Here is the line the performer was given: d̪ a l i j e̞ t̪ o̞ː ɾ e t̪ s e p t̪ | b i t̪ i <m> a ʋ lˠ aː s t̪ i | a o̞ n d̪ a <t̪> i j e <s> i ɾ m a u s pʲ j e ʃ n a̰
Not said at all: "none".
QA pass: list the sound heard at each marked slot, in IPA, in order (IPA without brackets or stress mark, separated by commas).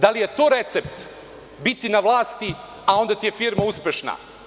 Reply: n, t̪, f